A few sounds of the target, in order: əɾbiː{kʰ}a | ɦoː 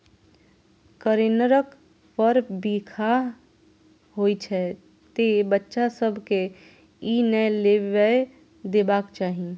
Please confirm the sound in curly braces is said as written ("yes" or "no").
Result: yes